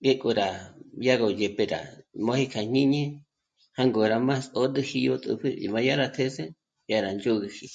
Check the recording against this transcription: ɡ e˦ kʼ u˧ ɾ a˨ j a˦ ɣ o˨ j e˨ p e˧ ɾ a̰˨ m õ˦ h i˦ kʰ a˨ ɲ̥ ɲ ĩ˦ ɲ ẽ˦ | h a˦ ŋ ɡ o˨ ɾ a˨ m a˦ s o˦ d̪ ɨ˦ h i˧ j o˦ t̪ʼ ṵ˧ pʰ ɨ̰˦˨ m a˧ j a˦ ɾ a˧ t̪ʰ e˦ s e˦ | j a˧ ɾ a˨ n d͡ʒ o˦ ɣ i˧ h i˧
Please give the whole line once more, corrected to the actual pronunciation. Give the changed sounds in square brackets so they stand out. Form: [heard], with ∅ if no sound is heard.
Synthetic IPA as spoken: ɡ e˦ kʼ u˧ ɾ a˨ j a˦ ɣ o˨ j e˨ p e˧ ɾ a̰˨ m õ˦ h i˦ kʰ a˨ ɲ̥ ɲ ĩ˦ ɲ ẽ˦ | h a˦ ŋ ɡ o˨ ɾ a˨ m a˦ s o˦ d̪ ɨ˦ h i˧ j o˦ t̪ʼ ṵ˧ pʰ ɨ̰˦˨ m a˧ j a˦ ɾ a˧ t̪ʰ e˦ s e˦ | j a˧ ɾ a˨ n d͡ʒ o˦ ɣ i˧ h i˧